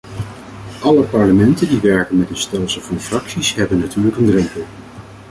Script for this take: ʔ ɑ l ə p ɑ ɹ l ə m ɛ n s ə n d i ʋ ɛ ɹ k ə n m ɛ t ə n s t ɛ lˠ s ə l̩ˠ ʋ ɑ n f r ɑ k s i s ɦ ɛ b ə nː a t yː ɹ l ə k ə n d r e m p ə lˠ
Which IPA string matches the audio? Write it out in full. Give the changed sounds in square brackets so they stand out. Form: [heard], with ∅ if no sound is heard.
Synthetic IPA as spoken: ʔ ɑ l ə p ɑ ɹ l ə m ɛ n [t] ə n d i ʋ ɛ ɹ k ə n m ɛ t ə n s t ɛ lˠ s ə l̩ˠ [v] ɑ n f r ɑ k s i s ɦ ɛ b ə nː a t yː ɹ l ə k ə n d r [ɛ] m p ə lˠ